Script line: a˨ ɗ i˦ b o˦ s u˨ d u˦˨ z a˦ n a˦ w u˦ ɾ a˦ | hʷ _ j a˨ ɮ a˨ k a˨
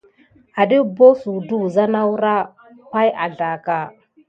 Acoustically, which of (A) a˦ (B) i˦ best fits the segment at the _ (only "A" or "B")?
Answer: A